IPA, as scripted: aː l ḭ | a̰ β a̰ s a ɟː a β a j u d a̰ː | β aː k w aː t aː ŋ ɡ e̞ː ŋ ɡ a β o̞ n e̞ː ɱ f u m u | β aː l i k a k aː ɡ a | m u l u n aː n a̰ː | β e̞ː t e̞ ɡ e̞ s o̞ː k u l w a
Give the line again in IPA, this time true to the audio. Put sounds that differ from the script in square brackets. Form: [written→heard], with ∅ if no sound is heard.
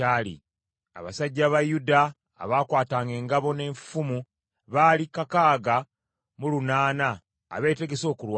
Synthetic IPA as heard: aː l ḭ | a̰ β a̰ s a ɟː a β a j u d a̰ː | β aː k w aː t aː ŋ ɡ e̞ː ŋ ɡ a β o̞ n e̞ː ɱ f u m u | β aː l i k a k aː ɡ a | m u l u n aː n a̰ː | β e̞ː t e̞ ɡ e̞ s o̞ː k u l w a